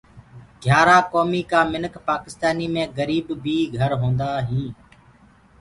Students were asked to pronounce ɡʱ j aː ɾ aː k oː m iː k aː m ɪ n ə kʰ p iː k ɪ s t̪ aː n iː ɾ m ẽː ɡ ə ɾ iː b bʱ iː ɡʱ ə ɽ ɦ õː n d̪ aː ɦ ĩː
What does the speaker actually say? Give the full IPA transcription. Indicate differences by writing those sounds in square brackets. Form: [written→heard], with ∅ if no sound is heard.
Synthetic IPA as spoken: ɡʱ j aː ɾ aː k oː m iː k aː m ɪ n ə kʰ p [iː→aː] k ɪ s t̪ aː n iː [ɾ→∅] m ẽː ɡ ə ɾ iː b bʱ iː ɡʱ ə [ɽ→ɾ] ɦ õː n d̪ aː ɦ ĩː